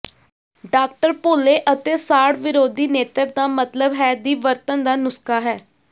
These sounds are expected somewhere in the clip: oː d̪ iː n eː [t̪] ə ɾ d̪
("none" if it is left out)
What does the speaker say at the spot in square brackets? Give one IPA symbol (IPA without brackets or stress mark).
t̪